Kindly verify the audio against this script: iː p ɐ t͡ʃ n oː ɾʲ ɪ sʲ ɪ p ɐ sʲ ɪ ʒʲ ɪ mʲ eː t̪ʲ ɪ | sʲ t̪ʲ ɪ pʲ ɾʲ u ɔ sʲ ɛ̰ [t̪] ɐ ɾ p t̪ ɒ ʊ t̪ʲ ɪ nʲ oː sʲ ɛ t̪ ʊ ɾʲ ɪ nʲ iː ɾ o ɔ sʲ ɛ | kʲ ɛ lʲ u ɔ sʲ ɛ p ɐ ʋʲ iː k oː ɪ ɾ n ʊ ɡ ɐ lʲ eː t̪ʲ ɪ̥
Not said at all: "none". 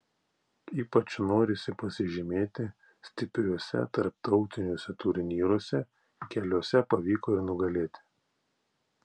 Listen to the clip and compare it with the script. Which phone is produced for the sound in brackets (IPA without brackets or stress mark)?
t̪